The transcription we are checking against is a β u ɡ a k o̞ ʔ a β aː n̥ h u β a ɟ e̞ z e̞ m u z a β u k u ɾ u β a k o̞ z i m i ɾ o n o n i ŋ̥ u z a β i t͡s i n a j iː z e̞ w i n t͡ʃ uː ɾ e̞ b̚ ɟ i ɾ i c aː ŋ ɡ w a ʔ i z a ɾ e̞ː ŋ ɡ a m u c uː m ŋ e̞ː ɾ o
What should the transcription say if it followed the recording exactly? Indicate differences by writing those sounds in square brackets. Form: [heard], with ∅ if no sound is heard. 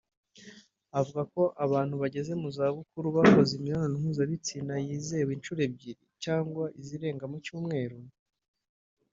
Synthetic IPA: a [v] u ɡ a k o̞ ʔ a β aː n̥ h u β a ɟ e̞ z e̞ m u z a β u k u ɾ u β a k o̞ z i m i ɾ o n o n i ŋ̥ u z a β i t͡s i n a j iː z e̞ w i n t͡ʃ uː ɾ e̞ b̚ ɟ i ɾ i c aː ŋ ɡ w a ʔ i z [i] ɾ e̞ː ŋ ɡ a m u c uː m ŋ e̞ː ɾ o